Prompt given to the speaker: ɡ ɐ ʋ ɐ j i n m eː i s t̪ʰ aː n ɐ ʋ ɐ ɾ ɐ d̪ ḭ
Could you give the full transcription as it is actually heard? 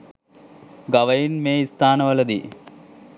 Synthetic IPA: ɡ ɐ ʋ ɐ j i n m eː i s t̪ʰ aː n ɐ ʋ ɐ l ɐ d̪ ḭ